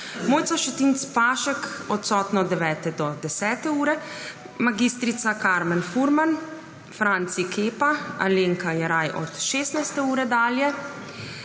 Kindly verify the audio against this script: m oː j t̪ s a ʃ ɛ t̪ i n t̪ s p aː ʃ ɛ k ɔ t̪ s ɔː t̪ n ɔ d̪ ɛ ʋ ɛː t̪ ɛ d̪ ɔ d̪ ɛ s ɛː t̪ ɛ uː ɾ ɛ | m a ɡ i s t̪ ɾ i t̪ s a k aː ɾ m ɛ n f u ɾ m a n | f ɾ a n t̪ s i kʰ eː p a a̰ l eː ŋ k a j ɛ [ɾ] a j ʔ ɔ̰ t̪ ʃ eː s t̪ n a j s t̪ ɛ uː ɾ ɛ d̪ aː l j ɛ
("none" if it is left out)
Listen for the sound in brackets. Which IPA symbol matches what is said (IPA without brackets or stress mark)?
ɾ